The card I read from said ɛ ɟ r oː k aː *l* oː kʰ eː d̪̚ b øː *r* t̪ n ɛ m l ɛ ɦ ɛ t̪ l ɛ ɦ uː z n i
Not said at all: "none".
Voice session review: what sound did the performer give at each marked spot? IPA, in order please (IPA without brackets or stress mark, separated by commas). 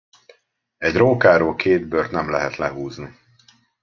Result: ɾ, r